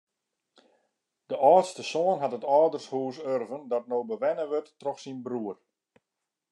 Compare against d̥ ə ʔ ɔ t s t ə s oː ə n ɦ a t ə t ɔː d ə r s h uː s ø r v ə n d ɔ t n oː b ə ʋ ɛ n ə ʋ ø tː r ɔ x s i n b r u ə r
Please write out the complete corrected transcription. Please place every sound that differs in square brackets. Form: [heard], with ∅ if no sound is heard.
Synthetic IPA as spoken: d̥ ə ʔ [ɔː] t s t ə s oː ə n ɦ a t ə t ɔː d ə r s h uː s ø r v ə n d ɔ t n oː b ə ʋ ɛ n ə ʋ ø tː r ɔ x s i n b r u ə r